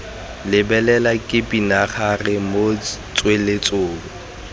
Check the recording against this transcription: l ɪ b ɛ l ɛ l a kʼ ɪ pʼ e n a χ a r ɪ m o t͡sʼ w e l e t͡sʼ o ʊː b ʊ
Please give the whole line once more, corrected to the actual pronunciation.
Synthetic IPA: l ɪ b ɛ l ɛ l a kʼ ɪ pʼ i n a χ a r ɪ m o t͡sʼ w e l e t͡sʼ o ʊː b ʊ